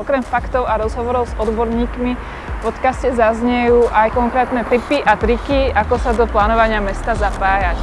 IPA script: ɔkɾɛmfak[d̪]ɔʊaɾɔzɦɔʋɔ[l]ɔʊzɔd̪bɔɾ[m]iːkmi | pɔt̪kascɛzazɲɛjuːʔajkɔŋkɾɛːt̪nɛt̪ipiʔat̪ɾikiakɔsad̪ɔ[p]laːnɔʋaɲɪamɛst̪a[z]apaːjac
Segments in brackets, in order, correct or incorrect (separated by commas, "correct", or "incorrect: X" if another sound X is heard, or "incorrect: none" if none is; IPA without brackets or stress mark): incorrect: t̪, incorrect: ɾ, incorrect: ɲ, correct, correct